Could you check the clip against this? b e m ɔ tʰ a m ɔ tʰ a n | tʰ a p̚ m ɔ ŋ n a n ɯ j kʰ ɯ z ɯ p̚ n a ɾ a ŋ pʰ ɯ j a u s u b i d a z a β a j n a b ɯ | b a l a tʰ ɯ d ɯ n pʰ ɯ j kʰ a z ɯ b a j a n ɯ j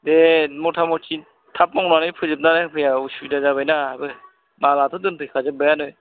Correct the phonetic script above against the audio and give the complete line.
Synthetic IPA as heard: d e m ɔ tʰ a m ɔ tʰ i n | tʰ a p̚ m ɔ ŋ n a n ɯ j pʰ ɯ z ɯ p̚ n a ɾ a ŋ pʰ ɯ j a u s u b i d a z a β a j n a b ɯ | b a l a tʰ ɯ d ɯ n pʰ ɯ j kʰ a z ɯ b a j a n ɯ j